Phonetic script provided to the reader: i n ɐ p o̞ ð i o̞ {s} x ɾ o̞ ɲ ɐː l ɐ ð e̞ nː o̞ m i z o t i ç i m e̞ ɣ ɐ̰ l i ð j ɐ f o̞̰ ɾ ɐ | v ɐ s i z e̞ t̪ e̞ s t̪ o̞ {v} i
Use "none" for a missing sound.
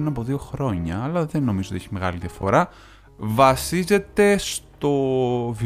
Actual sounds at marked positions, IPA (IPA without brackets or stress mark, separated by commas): none, v